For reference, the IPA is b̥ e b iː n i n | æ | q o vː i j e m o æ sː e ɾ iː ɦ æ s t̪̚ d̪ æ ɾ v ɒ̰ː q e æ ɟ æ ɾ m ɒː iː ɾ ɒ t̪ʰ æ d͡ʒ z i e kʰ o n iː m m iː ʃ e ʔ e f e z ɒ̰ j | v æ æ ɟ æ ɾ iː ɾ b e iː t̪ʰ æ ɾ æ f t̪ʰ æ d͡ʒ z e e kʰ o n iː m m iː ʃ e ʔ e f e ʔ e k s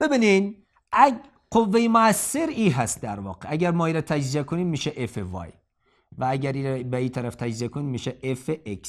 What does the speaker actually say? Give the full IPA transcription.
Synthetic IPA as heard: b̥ e b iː n i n | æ | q o vː e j e m o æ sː e ɾ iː ɦ æ s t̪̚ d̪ æ ɾ v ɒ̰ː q e æ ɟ æ ɾ m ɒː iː ɾ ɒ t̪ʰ æ d͡ʒ z i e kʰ o n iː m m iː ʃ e ʔ e f e v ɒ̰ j | v æ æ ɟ æ ɾ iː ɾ b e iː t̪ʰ æ ɾ æ f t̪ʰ æ d͡ʒ z i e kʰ o n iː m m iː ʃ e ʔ e f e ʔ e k s